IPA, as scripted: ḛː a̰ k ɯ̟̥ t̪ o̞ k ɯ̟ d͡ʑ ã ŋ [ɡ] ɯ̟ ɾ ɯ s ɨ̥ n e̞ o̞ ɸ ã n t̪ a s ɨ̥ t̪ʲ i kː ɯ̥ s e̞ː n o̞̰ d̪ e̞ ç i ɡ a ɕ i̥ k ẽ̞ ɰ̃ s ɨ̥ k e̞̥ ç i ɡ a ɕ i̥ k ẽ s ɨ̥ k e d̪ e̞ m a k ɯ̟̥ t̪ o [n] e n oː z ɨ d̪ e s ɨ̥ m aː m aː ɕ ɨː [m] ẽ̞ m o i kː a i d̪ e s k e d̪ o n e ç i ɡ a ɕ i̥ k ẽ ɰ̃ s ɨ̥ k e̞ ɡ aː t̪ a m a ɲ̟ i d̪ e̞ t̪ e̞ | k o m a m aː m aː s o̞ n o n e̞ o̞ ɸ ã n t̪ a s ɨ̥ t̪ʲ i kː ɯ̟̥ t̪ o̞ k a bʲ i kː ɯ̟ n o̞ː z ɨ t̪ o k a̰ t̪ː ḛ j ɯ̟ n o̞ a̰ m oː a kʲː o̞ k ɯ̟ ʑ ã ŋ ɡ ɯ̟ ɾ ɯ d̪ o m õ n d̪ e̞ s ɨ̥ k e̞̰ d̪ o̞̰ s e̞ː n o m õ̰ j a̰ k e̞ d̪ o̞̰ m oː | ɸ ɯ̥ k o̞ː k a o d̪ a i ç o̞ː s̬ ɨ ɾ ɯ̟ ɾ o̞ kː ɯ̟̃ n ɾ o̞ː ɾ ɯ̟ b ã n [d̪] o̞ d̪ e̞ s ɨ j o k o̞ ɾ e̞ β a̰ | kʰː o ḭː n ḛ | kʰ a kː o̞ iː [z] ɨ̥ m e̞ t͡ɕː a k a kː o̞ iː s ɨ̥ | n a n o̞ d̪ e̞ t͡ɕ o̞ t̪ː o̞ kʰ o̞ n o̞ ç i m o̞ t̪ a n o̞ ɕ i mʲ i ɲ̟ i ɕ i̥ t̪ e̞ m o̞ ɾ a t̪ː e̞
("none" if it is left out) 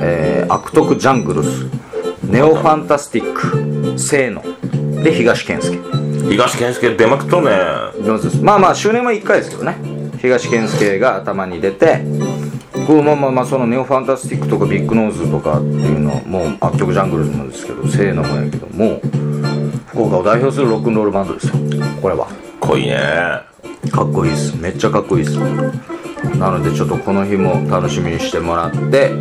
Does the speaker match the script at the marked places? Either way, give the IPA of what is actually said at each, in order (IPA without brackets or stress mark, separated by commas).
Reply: ɡ, n, n, d̪, s